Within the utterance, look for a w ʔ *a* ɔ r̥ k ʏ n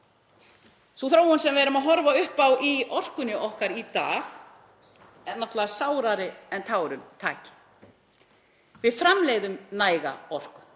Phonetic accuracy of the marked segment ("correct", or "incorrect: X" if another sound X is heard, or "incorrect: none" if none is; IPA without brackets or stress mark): incorrect: i